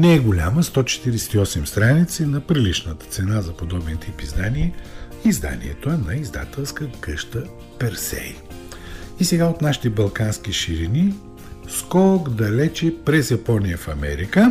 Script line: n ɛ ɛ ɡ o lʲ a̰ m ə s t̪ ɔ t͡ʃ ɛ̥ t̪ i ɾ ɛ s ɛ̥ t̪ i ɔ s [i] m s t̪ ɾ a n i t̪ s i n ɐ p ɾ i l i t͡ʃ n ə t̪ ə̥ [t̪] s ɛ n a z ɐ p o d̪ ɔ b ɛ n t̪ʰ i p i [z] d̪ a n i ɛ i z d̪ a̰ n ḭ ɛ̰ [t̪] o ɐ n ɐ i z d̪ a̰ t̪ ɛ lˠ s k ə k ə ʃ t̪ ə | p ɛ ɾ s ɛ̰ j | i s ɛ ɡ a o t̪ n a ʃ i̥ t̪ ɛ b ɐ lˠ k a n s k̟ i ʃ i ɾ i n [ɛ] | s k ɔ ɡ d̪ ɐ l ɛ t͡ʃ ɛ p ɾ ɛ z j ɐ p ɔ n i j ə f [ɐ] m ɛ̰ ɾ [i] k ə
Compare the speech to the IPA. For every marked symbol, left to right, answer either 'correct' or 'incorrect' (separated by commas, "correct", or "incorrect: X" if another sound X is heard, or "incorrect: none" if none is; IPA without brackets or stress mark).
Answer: incorrect: ɛ, correct, correct, correct, incorrect: i, correct, correct